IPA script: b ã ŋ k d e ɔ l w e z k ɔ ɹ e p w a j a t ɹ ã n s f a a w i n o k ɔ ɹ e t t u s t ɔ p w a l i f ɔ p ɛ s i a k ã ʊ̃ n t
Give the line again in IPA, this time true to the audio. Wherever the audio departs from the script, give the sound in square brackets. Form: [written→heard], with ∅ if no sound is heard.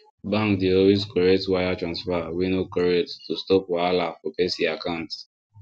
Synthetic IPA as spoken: b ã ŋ k d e ɔ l w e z k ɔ ɹ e [p→t] w a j a t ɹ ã n s f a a w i n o k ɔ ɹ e t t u s t ɔ p w a l [i→a] f ɔ p ɛ s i a k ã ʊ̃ n t